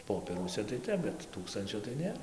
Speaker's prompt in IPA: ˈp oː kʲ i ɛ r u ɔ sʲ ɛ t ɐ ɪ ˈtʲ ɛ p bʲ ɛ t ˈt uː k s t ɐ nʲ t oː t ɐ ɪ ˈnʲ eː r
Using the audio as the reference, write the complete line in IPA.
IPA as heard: ˈp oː pʲ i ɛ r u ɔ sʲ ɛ t ɐ ɪ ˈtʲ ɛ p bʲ ɛ t ˈt uː k s t ɐ nʲ t͡ʃʲ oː t ɐ ɪ ˈnʲ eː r